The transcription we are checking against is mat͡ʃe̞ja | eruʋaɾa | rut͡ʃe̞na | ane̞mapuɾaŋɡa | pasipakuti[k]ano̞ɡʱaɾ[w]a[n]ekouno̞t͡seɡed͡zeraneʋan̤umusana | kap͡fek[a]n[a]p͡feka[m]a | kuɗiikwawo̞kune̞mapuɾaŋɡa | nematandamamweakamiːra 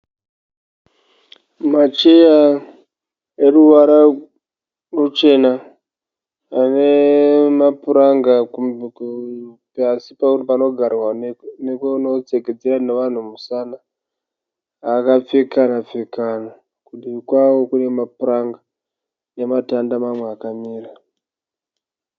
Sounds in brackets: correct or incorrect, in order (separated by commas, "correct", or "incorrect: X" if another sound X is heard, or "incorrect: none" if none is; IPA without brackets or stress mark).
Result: incorrect: p, correct, correct, correct, correct, incorrect: n